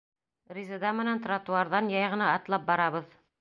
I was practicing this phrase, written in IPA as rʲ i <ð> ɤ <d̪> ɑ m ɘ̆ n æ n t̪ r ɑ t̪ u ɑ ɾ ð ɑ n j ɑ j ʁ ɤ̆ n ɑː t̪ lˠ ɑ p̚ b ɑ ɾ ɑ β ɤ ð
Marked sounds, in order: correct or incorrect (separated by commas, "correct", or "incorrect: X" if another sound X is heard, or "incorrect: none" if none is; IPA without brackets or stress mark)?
incorrect: z, correct